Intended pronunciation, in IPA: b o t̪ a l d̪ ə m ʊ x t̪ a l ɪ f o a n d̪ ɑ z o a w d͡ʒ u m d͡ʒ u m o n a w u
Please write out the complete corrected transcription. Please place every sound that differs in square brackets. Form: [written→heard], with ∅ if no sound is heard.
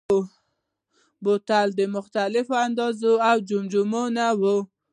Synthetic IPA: b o t̪ a l d̪ ə m ʊ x t̪ a l ɪ f o a n d̪ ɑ z o a w d͡ʒ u m d͡ʒ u m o n a w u